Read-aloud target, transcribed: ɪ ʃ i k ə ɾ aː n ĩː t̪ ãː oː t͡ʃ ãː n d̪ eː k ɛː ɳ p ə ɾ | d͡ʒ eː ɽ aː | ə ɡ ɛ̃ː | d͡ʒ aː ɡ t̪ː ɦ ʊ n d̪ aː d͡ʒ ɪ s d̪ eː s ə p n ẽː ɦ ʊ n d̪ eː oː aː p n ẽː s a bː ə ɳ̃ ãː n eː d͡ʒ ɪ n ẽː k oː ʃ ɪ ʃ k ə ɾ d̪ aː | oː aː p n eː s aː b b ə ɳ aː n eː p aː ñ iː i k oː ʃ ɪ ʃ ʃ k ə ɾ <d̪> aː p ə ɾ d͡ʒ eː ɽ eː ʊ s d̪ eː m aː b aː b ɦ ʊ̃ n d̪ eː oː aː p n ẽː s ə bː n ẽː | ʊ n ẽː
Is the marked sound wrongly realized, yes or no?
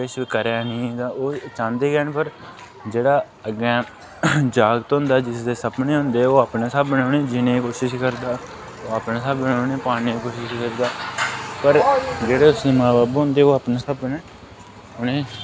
no